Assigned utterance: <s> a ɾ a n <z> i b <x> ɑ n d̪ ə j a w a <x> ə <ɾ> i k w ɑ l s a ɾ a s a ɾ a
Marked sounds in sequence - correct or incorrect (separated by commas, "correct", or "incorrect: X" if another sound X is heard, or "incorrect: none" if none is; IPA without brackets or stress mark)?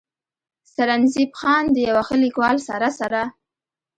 correct, correct, correct, correct, incorrect: l